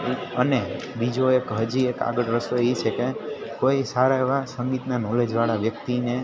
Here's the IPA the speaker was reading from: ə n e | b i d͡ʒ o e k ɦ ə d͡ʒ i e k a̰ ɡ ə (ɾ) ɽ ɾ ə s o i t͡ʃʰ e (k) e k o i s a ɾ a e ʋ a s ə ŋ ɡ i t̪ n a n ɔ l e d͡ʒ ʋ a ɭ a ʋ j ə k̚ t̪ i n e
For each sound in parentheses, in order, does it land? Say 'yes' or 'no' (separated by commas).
no, yes